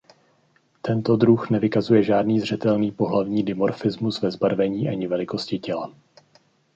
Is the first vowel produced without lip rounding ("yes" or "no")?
yes